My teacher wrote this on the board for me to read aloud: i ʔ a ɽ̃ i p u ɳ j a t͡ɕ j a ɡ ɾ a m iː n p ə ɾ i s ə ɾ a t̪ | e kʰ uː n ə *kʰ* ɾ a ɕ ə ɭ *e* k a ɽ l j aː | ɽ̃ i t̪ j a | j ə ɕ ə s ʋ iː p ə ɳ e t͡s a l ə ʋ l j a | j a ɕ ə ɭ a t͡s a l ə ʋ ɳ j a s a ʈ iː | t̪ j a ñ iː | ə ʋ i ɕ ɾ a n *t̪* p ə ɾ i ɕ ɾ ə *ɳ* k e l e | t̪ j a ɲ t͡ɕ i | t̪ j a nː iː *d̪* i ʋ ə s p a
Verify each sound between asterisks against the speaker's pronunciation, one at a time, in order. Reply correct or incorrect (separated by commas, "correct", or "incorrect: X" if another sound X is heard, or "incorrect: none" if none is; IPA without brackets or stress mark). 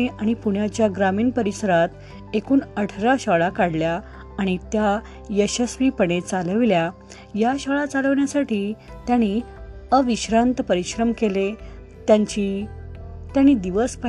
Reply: incorrect: ʈʰ, incorrect: a, correct, incorrect: m, correct